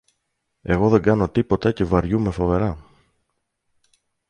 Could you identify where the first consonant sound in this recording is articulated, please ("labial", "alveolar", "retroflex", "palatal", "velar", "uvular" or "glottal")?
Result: velar